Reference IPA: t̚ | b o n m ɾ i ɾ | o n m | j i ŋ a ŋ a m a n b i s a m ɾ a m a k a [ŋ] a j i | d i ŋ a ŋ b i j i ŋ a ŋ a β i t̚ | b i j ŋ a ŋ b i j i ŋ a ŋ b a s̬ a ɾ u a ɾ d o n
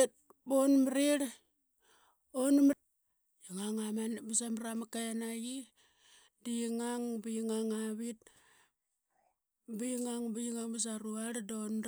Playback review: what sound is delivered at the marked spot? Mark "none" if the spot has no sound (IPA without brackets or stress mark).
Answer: n